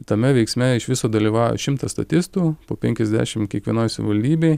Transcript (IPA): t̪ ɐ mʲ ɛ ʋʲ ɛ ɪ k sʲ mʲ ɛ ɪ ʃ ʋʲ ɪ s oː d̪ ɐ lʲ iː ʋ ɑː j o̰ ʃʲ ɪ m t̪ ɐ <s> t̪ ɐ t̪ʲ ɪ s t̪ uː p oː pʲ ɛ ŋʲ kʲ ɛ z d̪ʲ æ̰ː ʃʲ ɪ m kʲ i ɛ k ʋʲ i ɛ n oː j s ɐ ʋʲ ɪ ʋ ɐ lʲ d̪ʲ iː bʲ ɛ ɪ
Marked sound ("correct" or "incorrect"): correct